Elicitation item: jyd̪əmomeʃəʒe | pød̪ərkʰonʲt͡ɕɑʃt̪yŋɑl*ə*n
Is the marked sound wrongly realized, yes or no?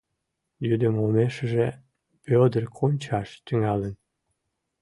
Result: no